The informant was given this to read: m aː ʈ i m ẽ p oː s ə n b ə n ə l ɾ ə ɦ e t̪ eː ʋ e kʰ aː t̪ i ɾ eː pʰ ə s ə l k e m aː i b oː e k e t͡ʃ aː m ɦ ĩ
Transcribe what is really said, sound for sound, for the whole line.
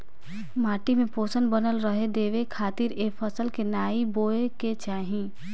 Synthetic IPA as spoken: m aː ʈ i m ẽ p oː s ə n b ə n ə l ɾ ə ɦ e d̪ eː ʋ e kʰ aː t̪ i ɾ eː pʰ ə s ə l k e n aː i b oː e k e t͡ʃ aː ɦ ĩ

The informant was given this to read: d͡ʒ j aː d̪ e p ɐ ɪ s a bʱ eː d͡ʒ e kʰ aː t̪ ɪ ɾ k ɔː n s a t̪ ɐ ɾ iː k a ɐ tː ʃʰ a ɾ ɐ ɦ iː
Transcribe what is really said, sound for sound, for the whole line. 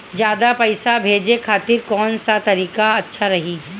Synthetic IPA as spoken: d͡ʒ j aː d̪ a p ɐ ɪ s a bʱ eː d͡ʒ e kʰ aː t̪ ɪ ɾ k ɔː n s a t̪ ɐ ɾ iː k a ɐ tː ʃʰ a ɾ ɐ ɦ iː

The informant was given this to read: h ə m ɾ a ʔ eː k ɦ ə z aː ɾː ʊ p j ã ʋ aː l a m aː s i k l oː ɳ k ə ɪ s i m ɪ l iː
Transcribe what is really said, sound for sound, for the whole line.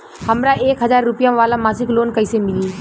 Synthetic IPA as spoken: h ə m ɾ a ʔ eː k ɦ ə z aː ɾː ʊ p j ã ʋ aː l a m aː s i k l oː n k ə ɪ s e m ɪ l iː

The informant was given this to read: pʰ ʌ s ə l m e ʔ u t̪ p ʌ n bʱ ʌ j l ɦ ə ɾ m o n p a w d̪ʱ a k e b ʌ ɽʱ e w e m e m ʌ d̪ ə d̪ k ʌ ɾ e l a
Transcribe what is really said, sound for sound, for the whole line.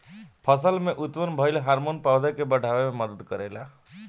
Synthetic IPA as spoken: pʰ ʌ s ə l m e ʔ u t̪ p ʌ n bʱ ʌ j l ɦ a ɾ m o n p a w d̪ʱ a k e b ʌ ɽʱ a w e m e m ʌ d̪ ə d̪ k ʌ ɾ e l a

